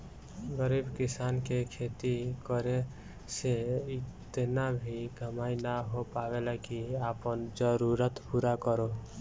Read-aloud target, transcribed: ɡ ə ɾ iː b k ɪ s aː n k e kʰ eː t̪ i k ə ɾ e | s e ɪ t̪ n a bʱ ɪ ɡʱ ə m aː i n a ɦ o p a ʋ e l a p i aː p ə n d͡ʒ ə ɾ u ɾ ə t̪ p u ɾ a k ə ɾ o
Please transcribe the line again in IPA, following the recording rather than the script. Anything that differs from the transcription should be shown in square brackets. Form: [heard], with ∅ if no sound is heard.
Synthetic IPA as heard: ɡ ə ɾ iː b k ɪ s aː n k e kʰ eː t̪ i k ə ɾ e | s e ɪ t̪ n a bʱ [i] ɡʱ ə m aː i n a ɦ o p a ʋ e l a [k] i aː p ə n d͡ʒ ə ɾ u ɾ ə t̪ p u ɾ a k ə ɾ o

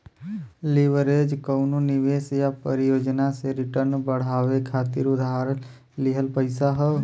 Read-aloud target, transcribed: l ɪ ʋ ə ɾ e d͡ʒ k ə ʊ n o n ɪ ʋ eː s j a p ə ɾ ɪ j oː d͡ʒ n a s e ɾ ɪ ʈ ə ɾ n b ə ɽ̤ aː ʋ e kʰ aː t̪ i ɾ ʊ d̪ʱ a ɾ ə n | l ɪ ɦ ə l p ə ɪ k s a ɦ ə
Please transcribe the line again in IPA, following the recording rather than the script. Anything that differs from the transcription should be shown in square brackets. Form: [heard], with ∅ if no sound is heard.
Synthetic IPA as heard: l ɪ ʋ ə ɾ e d͡ʒ k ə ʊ n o n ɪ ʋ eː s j a p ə ɾ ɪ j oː d͡ʒ n a s e ɾ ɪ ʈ ə ɾ n b ə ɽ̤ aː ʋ e kʰ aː t̪ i ɾ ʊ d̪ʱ a ɾ ə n | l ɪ ɦ ə l p ə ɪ [∅] s a ɦ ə

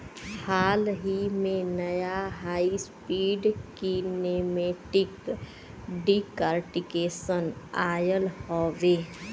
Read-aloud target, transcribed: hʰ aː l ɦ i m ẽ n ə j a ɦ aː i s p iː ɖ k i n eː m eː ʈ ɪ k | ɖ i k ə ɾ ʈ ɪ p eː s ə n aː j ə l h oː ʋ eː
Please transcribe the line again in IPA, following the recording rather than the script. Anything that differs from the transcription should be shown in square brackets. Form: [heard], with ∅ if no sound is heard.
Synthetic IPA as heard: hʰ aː l ɦ i m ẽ n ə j a ɦ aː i s p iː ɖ k i n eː m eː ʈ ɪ k | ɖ i k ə ɾ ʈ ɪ [k] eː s ə n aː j ə l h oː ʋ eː

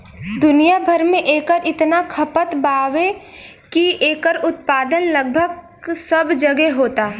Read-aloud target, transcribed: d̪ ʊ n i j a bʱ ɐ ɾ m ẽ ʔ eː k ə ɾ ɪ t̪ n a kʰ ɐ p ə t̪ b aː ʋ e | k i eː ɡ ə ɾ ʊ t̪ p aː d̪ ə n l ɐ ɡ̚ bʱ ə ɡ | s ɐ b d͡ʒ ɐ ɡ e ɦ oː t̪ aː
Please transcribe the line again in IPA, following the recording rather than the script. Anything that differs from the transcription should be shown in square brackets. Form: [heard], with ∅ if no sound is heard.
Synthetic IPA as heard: d̪ ʊ n i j a bʱ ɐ ɾ m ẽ ʔ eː k ə ɾ ɪ t̪ n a kʰ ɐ p ə t̪ b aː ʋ e | k i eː [k] ə ɾ ʊ t̪ p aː d̪ ə n l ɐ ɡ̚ bʱ ə ɡ | s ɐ b d͡ʒ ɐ ɡ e ɦ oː t̪ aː

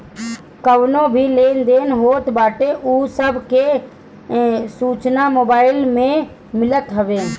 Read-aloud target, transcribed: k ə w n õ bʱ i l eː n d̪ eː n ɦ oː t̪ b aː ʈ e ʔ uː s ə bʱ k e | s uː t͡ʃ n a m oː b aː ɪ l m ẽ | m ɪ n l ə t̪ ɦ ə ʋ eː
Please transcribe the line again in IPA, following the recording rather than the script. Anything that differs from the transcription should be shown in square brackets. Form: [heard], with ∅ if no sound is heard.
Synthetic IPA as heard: k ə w n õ bʱ i l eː n d̪ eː n ɦ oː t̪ b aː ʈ e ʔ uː s ə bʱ k e | s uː t͡ʃ n a m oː b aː ɪ l m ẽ | m ɪ [∅] l ə t̪ ɦ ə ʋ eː

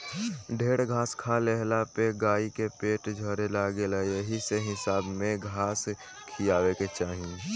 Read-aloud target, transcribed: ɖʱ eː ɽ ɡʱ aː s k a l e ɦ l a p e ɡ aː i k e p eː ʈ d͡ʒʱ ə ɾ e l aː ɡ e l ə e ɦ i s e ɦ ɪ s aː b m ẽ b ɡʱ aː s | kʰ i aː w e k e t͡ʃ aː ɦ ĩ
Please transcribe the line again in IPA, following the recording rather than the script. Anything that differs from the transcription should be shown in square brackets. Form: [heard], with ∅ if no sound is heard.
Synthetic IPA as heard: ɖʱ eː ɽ ɡʱ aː s [kʰ] a l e ɦ l a p e ɡ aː i k e p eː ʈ d͡ʒʱ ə ɾ e l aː ɡ e l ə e ɦ i s e ɦ ɪ s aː b m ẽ [∅] ɡʱ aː s | kʰ i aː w e k e t͡ʃ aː ɦ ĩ

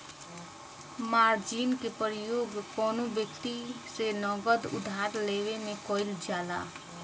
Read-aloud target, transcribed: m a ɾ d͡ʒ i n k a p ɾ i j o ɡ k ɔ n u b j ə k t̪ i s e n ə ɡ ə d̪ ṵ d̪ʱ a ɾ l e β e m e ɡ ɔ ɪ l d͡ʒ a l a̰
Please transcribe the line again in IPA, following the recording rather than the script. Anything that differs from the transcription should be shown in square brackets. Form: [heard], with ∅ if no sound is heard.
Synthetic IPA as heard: m a ɾ d͡ʒ i n k [e] p ɾ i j o ɡ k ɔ n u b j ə k t̪ i s e n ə ɡ ə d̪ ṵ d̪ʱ a ɾ l e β e m e [k] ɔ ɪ l d͡ʒ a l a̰

